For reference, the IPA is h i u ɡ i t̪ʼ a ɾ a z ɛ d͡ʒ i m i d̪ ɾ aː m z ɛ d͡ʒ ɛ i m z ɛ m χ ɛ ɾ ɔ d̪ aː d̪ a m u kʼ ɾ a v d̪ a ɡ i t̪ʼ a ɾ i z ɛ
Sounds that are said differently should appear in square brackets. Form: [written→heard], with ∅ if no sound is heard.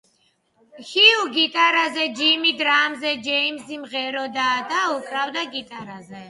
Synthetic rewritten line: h i u ɡ i t̪ʼ a ɾ a z ɛ d͡ʒ i m i d̪ ɾ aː m z ɛ d͡ʒ ɛ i m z [ɛ→i] m [χ→ʁ] ɛ ɾ ɔ d̪ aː d̪ a [m→∅] u kʼ ɾ a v d̪ a ɡ i t̪ʼ a ɾ [i→a] z ɛ